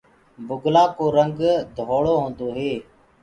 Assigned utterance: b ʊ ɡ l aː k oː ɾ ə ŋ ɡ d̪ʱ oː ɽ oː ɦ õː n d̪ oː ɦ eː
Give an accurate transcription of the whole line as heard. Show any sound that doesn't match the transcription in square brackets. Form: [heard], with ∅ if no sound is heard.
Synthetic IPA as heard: b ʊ ɡ l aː k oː ɾ ə ŋ ɡ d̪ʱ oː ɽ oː ɦ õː n d̪ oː ɦ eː